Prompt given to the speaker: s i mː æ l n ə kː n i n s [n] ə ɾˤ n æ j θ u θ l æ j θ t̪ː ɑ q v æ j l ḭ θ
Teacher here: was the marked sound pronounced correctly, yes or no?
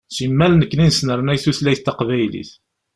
yes